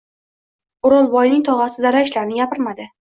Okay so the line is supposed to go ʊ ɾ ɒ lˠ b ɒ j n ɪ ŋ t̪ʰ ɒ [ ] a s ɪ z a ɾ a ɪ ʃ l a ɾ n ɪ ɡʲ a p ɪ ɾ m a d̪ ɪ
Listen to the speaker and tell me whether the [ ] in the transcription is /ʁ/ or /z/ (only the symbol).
ʁ